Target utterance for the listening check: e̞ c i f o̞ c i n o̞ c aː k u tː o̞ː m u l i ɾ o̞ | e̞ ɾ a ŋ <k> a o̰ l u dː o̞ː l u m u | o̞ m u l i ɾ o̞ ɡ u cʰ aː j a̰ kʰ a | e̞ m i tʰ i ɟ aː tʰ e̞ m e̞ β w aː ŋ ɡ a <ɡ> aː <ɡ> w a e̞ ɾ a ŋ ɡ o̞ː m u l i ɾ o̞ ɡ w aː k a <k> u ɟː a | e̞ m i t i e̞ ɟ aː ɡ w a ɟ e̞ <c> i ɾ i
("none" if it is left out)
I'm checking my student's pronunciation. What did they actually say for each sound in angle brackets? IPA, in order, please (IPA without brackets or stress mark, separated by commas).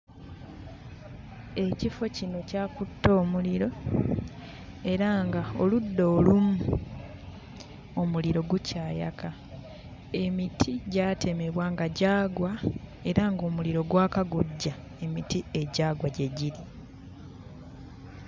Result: ɡ, ɟ, ɡ, ɡ, ɟ